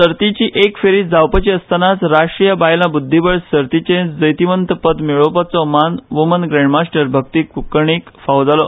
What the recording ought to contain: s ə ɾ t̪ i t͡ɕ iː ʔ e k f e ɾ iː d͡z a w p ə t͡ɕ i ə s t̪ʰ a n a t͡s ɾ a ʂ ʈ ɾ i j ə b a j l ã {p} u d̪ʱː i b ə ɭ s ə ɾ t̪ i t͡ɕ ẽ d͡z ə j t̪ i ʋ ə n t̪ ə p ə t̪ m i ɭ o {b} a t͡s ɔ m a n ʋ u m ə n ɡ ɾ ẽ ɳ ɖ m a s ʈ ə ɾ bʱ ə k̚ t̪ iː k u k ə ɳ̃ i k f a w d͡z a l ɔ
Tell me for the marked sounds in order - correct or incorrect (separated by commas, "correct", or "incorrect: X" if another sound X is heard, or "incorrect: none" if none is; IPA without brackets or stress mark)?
incorrect: b, incorrect: p